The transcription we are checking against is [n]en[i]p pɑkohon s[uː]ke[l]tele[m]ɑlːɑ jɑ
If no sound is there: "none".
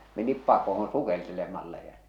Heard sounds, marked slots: m, i, u, l, m

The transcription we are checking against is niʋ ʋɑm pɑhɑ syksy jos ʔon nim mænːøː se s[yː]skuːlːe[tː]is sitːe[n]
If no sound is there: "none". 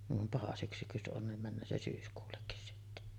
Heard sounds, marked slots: yː, kː, none

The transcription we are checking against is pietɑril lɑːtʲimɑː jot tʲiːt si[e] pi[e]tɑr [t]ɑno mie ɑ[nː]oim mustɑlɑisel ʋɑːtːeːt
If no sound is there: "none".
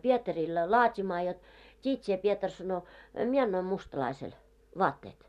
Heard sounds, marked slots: e, e, s, nː

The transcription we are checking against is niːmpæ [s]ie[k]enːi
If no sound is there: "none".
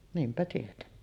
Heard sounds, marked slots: t, t

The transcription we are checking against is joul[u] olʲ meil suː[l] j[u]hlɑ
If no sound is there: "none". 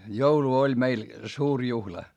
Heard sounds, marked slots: u, r, u

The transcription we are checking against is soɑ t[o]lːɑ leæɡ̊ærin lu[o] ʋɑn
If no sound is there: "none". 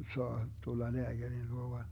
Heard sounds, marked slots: u, o

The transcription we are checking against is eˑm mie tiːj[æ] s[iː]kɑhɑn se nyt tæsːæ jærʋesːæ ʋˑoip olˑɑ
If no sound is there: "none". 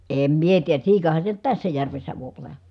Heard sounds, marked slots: æ, iː

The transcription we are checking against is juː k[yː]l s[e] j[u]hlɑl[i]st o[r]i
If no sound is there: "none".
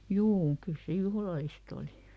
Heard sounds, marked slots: y, e, u, i, l

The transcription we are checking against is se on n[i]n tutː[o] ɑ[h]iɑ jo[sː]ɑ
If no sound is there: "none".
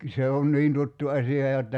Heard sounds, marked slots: iː, u, s, tː

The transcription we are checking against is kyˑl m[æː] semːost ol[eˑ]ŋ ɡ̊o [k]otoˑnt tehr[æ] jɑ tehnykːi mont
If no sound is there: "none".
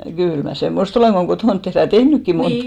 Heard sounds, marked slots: æ, eˑ, k, æ

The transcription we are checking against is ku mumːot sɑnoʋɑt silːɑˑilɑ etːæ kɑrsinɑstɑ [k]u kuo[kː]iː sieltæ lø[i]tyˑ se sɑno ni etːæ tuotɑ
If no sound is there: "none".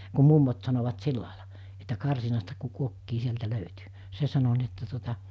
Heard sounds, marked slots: k, kː, y

